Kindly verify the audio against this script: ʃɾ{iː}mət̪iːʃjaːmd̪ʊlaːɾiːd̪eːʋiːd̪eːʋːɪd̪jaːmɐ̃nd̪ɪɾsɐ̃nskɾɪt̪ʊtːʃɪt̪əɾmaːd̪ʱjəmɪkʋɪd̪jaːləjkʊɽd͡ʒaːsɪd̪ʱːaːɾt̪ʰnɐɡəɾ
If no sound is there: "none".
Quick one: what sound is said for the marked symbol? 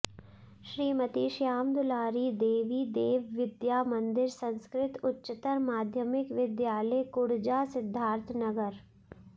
iː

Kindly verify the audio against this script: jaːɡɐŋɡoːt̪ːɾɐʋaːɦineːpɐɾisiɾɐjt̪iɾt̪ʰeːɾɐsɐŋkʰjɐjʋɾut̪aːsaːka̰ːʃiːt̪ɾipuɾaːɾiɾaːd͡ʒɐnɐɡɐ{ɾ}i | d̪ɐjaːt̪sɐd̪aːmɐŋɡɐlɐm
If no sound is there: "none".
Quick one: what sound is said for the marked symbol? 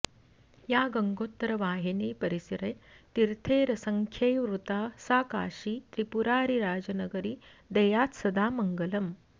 ɾ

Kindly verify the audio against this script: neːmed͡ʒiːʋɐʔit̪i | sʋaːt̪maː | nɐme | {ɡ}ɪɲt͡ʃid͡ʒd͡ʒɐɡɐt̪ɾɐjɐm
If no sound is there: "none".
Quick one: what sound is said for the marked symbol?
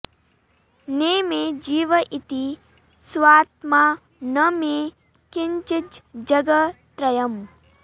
k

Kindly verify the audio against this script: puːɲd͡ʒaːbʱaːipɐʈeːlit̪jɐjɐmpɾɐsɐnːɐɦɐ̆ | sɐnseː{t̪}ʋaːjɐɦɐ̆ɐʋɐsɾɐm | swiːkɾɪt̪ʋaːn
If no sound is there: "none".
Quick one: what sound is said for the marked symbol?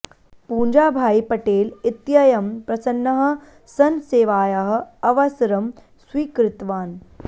none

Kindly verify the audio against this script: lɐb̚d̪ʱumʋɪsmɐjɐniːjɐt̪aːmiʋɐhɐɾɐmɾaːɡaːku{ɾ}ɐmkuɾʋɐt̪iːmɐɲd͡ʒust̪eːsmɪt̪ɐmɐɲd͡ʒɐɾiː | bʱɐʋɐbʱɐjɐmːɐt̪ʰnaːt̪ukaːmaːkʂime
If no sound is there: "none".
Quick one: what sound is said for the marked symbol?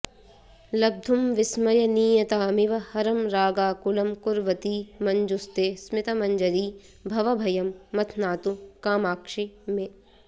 l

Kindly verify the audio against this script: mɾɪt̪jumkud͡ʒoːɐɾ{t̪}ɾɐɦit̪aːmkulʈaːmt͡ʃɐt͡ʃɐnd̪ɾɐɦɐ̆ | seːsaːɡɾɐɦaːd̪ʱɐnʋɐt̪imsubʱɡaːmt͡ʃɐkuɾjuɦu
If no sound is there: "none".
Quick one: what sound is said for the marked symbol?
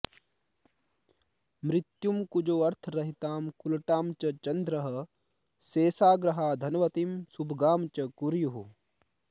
t̪ʰ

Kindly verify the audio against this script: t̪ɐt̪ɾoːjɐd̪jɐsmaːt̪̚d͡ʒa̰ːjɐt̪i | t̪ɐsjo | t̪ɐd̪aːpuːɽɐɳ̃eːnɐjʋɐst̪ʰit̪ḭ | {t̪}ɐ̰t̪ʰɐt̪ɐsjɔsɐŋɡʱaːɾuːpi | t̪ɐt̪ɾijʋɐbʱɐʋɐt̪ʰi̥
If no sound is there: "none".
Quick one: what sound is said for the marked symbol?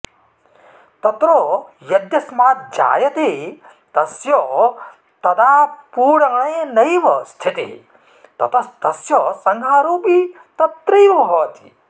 t̪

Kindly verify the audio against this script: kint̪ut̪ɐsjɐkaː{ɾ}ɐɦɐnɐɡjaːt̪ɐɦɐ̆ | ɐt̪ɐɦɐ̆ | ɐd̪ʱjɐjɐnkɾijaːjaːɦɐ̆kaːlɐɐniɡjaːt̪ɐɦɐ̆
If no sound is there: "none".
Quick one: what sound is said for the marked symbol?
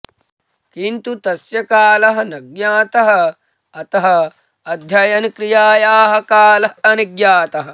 l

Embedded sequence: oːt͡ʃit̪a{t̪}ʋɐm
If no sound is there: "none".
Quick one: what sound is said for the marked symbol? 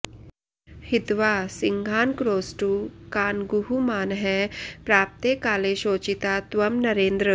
t̪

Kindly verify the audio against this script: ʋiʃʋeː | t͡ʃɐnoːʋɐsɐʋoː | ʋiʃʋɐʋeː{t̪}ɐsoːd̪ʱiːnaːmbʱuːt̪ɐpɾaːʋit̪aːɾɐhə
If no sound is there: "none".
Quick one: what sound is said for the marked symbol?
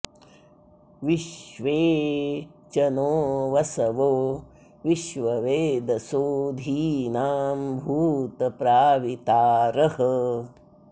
d̪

